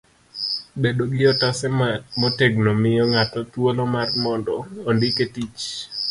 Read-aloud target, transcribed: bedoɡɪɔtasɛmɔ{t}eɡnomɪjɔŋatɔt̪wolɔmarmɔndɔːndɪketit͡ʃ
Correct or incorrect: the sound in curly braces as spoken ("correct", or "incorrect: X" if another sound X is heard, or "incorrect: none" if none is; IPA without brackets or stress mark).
correct